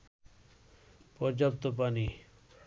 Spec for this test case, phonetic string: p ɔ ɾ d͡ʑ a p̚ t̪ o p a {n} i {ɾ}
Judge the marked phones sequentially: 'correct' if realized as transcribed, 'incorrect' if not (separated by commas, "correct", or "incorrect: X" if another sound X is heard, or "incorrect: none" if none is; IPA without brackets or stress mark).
correct, incorrect: none